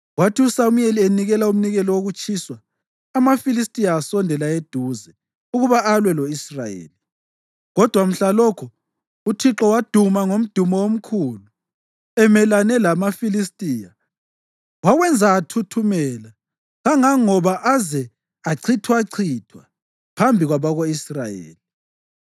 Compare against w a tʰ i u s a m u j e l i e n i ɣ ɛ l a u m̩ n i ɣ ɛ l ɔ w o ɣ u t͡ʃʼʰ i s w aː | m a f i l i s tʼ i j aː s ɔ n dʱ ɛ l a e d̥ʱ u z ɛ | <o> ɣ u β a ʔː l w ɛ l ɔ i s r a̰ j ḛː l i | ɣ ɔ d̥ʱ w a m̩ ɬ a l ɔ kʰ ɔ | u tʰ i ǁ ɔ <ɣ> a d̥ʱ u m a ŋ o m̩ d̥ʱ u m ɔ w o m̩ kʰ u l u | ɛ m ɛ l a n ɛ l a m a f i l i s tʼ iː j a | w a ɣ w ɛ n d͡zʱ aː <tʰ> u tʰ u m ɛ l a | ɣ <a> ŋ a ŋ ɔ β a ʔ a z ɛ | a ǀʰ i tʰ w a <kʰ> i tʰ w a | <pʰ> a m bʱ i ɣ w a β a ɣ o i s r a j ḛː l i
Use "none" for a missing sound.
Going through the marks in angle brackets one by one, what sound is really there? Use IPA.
u, w, tʰ, a, ǀʰ, pʰ

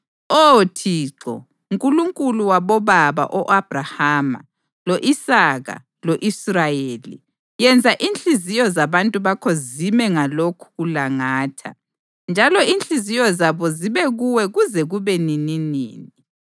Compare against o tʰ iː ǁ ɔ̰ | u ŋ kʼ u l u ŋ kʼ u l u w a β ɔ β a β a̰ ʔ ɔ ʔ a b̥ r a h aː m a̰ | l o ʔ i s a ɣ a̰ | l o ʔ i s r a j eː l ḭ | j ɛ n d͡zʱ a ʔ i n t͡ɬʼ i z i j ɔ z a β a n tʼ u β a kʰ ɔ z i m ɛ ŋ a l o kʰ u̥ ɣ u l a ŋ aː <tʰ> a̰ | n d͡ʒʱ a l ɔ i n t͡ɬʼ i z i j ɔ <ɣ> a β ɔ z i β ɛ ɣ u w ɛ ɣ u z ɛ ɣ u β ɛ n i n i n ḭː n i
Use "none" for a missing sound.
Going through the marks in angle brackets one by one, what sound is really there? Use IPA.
tʰ, z

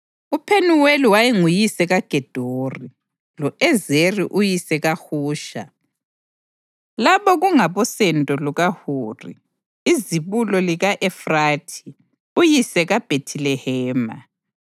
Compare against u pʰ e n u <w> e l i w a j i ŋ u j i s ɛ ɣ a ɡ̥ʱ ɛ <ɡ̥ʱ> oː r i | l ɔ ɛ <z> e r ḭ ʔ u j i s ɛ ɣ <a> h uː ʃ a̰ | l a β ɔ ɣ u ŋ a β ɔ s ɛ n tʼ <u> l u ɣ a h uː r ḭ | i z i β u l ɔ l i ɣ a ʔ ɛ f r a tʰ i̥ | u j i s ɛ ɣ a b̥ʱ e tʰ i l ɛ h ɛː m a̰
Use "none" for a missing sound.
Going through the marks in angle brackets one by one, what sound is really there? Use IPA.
w, d̥ʱ, z, a, ɔ

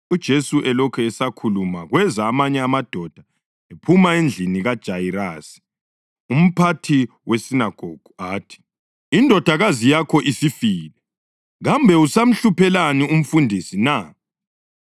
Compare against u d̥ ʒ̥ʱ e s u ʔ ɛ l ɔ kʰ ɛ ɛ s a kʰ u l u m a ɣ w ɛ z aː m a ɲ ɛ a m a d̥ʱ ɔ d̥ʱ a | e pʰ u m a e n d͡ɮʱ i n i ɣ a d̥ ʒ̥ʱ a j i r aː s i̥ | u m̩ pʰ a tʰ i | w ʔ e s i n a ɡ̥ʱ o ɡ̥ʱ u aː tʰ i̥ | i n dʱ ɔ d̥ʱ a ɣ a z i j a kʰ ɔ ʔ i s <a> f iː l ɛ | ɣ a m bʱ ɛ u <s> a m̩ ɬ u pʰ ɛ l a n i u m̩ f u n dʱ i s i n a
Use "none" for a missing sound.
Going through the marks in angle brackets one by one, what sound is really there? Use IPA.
i, s

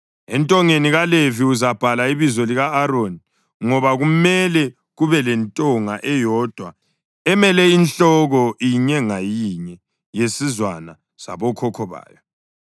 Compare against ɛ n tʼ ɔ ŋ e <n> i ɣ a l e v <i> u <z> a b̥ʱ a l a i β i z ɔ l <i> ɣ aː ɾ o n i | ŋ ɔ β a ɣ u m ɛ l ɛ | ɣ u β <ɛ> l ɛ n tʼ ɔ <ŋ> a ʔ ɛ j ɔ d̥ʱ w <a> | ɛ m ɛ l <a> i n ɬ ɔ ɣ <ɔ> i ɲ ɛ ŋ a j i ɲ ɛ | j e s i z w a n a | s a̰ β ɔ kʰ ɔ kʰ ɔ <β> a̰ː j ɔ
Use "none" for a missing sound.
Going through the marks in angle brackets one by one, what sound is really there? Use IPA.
n, i, z, i, ɛ, ŋ, a, ɛ, ɔ, β

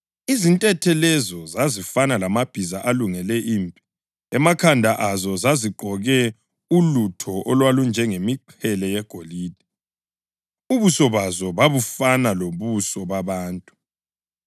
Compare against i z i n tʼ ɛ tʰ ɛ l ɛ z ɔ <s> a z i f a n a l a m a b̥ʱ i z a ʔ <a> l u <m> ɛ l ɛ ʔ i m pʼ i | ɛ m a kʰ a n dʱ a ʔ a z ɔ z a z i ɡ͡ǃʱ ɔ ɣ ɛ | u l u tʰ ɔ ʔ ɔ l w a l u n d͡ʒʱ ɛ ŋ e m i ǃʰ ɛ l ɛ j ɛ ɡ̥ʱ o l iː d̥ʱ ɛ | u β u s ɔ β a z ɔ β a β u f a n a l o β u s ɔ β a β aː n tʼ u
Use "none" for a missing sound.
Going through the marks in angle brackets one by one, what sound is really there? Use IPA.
z, a, ŋ

